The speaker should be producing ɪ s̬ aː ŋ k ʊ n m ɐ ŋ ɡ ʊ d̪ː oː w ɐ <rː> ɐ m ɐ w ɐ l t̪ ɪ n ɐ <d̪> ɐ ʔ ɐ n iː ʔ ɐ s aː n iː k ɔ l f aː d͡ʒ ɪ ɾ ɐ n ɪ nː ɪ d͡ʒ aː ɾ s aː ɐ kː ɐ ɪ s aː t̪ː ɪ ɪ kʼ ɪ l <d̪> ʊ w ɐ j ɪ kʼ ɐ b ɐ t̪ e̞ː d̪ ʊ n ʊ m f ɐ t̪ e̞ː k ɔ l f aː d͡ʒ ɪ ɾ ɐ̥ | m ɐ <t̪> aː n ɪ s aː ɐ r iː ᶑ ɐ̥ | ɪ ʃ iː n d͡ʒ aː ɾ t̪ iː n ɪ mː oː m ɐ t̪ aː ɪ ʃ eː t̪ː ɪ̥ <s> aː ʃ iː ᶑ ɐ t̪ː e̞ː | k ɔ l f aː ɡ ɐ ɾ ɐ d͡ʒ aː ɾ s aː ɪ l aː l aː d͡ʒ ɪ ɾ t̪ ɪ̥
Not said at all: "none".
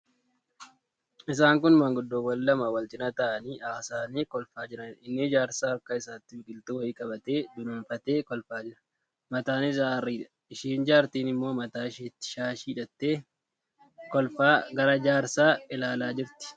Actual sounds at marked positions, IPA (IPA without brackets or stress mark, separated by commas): lː, t̪, t̪, t̪, ʃ